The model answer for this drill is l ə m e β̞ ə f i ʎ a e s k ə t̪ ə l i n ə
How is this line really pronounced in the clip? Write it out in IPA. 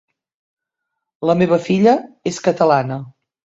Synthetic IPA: l ə m e β̞ ə f i ʎ ə e s k ə t̪ ə l a n ə